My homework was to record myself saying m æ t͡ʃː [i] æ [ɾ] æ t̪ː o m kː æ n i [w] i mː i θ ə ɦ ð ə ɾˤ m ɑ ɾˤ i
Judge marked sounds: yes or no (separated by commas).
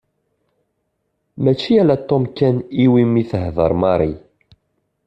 yes, no, yes